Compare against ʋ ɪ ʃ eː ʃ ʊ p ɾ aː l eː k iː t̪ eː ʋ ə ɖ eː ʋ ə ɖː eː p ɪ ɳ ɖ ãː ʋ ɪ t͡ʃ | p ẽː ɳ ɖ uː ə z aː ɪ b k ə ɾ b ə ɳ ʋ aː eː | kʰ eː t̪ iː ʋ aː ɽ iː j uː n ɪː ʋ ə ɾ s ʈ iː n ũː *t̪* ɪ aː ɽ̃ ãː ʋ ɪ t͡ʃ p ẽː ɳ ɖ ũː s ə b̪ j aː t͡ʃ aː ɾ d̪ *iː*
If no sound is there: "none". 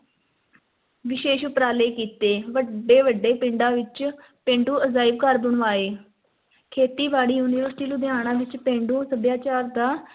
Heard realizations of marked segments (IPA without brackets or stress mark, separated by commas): d̪, aː